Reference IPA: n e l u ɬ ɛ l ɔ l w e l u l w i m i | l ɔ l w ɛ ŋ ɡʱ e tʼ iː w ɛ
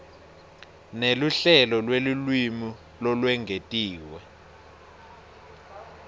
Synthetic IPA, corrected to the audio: n e l u ɬ ɛ l ɔ l w e l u l w i m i | l ɔ l w ɛ ŋ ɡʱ e tʼ iː w ɛ